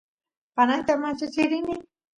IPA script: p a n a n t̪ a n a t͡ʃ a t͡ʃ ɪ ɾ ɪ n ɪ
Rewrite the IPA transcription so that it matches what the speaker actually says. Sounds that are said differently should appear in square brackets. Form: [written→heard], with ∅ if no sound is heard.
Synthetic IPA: p a n a n t̪ a [n→m] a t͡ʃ a t͡ʃ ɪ ɾ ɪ n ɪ